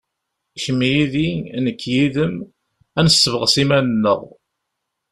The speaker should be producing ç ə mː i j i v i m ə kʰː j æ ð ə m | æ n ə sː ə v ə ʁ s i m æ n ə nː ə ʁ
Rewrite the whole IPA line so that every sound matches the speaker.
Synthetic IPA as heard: ç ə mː i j i ð i n ə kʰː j i ð ə m | æ n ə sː ə v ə ʁ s i m æ n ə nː ə ʁ